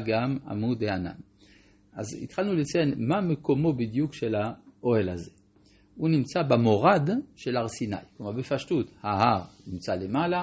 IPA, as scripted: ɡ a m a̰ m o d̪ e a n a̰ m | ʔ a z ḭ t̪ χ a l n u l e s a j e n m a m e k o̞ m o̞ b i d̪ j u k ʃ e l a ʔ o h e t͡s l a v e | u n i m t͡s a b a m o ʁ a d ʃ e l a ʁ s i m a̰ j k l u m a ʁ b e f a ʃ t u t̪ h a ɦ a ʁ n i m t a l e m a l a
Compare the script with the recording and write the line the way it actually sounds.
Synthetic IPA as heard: ɡ a m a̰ m u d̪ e a n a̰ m | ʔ a z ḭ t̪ χ a l n u l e t͡s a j e n m a m e k o̞ m o̞ b i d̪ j u k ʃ e l a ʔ o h e l a z e | u n i m t͡s a b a m o ʁ a d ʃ e l a ʁ s i n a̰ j k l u m a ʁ b e f a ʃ t u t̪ h a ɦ a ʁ n i m t͡s a l e m a l a